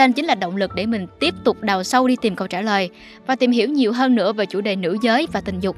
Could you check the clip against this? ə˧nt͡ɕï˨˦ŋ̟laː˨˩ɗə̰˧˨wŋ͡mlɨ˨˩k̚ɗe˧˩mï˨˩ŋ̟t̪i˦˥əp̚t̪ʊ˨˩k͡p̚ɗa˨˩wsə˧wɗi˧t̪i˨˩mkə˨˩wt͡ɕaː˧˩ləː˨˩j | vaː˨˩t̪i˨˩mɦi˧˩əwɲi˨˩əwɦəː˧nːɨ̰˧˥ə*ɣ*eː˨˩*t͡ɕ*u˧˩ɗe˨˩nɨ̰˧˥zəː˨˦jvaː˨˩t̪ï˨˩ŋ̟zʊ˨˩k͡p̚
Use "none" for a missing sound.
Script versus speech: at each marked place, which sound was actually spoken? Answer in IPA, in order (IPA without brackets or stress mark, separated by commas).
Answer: v, t͡ɕ